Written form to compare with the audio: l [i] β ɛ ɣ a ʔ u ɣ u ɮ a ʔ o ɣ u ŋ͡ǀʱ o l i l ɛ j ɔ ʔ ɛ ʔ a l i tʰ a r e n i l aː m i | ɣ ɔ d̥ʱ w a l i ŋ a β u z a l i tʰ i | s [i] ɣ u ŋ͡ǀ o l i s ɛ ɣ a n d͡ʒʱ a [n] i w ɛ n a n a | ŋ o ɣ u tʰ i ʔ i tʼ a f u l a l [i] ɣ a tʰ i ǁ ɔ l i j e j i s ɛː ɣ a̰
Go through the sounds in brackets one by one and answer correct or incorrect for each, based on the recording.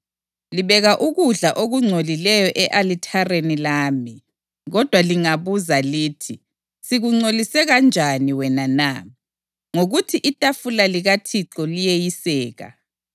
correct, correct, correct, correct

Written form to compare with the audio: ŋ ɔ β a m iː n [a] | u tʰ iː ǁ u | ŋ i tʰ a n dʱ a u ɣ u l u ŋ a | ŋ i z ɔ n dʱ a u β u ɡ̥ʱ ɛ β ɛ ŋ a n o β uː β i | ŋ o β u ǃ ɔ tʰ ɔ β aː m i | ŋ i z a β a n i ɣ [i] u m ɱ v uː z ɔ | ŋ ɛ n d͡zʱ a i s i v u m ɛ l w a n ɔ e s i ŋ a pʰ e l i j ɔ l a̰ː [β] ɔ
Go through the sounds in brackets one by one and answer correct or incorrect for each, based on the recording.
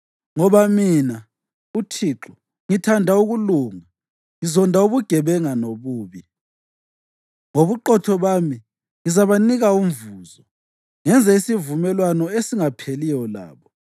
correct, incorrect: a, correct

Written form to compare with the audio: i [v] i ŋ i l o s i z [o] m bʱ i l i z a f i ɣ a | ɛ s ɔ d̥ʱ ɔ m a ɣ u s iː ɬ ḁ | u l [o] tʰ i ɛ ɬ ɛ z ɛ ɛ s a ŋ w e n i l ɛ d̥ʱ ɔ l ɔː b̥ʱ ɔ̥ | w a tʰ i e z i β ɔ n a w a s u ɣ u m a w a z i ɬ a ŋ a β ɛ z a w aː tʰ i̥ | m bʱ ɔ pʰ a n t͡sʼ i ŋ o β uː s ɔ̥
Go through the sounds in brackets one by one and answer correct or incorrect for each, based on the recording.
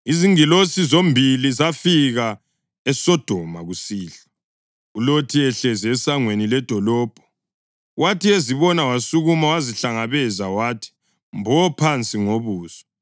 incorrect: z, correct, correct

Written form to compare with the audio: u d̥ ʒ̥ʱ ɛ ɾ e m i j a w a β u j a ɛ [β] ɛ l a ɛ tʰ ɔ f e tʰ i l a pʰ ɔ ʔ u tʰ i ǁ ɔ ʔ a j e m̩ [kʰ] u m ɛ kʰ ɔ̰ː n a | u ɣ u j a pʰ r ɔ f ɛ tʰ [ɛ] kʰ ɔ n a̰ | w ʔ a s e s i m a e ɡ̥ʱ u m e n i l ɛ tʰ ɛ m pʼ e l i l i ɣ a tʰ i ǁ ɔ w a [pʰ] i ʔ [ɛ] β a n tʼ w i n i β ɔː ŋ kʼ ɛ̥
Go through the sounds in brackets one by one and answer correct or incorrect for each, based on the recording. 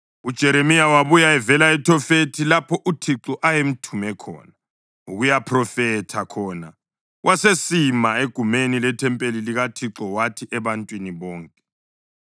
incorrect: v, incorrect: tʰ, incorrect: a, incorrect: tʰ, correct

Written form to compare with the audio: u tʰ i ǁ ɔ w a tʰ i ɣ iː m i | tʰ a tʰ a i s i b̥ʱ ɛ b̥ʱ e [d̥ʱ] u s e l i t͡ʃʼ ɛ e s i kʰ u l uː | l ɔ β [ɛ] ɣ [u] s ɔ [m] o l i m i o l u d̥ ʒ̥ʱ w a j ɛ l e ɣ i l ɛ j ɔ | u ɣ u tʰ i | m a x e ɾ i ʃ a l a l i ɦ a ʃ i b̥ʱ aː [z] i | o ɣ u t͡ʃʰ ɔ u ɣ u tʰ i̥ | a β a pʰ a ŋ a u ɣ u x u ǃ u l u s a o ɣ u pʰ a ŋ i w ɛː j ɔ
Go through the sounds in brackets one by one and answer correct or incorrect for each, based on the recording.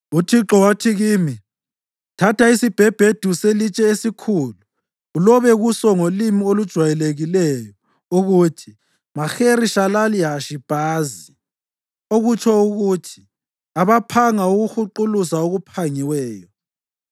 correct, correct, correct, incorrect: ŋ, correct

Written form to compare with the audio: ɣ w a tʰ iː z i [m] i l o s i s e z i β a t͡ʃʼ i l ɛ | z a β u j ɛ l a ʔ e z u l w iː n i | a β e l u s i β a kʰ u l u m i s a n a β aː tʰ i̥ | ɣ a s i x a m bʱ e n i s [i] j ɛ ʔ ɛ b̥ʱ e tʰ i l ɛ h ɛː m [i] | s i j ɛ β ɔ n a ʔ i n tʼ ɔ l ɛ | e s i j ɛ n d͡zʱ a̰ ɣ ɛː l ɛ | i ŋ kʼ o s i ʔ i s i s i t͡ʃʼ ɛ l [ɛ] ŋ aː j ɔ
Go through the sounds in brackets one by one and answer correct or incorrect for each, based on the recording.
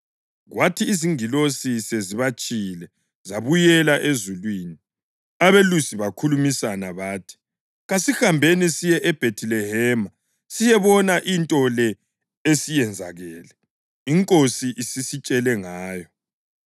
incorrect: ŋ, correct, incorrect: a, correct

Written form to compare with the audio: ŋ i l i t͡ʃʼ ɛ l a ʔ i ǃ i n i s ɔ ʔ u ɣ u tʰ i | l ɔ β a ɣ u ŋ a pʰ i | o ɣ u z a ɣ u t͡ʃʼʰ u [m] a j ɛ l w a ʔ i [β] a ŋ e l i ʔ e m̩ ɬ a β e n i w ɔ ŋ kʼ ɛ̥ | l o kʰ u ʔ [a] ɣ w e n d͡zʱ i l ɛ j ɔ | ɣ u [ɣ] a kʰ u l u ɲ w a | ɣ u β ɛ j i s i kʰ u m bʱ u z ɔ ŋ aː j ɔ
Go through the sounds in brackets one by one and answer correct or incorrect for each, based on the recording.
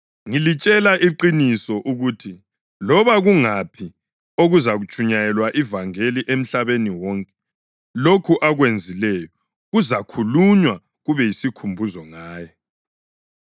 incorrect: ɲ, incorrect: v, correct, incorrect: z

